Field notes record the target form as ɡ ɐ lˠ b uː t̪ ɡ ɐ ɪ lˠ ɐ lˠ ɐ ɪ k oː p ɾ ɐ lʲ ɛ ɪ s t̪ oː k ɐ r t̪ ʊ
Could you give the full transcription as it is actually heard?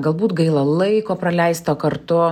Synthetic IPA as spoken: ɡ ɐ lˠ b uː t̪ ɡ ɐ ɪ lˠ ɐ lˠ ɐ ɪ k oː p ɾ ɐ lʲ ɛ ɪ s t̪ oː k ɐ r t̪ ʊ